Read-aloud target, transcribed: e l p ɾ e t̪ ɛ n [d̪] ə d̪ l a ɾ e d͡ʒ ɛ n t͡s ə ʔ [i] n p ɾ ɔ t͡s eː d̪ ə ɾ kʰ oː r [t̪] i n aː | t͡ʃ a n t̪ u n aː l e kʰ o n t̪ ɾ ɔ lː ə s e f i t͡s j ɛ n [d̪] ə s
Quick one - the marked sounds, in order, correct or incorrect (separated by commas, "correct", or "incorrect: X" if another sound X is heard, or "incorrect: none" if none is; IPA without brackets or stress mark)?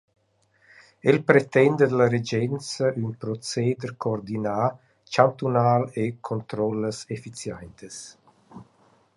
correct, incorrect: y, incorrect: d̪, incorrect: t̪